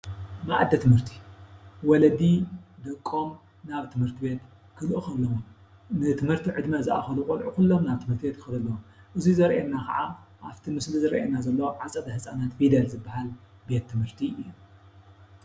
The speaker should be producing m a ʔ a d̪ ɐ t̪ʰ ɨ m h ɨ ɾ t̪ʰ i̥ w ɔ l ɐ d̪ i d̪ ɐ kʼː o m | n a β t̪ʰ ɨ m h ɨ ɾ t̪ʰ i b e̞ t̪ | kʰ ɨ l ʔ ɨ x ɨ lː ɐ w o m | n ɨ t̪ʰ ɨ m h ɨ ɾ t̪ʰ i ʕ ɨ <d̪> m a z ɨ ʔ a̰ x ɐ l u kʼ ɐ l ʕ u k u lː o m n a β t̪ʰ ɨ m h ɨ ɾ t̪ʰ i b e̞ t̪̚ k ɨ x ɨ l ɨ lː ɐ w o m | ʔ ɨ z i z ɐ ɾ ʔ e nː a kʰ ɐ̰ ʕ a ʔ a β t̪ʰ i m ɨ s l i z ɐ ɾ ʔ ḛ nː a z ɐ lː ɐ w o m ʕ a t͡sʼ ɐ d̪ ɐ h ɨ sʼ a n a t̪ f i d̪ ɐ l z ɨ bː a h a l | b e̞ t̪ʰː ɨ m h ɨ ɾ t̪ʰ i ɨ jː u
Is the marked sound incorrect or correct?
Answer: correct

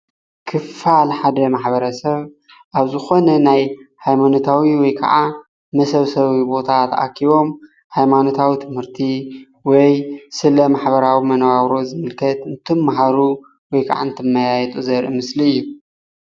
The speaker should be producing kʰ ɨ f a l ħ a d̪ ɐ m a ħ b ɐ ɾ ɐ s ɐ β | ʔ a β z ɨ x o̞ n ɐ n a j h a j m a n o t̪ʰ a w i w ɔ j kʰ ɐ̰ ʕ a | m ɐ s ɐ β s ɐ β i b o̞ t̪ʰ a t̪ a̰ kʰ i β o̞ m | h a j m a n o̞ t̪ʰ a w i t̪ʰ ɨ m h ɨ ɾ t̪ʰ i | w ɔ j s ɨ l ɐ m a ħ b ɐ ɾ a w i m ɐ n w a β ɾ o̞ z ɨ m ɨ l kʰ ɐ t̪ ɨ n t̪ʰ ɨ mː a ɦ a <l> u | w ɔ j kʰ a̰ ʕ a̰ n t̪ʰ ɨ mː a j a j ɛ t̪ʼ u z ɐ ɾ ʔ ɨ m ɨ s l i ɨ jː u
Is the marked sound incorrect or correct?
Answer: incorrect: ɾ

